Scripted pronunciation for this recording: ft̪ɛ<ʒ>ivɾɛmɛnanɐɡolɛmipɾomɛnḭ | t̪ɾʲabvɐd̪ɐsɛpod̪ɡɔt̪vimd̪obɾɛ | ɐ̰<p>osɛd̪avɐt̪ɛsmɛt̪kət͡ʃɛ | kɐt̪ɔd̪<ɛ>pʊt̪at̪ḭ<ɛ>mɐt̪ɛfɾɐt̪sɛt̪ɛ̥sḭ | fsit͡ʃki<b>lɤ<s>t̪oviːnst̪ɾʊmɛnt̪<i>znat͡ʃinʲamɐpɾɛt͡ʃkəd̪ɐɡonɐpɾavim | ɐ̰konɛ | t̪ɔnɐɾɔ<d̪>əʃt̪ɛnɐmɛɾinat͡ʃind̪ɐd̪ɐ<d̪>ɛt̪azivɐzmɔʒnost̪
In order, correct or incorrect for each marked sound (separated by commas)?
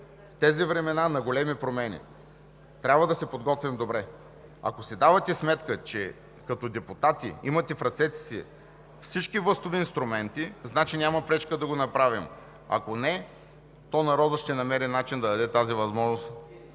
incorrect, incorrect, correct, incorrect, incorrect, correct, correct, correct, correct